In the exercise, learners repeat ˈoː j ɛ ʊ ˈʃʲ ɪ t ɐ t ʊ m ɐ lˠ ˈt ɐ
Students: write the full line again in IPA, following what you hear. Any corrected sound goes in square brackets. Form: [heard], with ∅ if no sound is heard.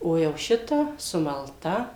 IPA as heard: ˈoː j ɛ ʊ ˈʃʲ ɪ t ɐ [s] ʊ m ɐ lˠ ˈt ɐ